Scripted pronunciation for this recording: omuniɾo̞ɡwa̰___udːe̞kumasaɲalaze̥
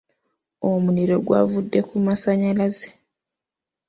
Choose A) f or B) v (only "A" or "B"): B